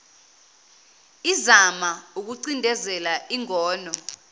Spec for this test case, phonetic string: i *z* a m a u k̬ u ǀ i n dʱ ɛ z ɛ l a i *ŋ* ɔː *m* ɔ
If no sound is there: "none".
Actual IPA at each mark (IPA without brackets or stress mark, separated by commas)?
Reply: z, ŋ, n